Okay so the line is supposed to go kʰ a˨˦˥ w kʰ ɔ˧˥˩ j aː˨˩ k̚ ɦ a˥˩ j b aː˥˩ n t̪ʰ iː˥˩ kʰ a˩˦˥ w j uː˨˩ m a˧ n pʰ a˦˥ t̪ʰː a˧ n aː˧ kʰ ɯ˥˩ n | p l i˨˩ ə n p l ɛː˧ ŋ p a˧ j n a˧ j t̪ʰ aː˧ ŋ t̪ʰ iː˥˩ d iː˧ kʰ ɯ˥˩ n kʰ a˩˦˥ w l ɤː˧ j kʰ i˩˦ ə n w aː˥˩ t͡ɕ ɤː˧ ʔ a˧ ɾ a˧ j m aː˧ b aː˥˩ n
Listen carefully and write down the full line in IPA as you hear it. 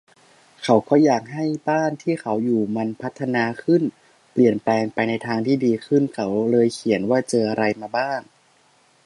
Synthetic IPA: kʰ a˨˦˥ w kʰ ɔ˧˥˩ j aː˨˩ k̚ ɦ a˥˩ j b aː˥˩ n t̪ʰ iː˥˩ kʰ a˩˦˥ w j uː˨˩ m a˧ n pʰ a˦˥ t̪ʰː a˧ n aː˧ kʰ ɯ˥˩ n | p l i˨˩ ə n p l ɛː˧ ŋ p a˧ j n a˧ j t̪ʰ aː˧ ŋ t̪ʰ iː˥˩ d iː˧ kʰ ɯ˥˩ n kʰ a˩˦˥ w l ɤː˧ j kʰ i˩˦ ə n w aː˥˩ t͡ɕ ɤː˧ ʔ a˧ ɾ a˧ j m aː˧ b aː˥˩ ŋ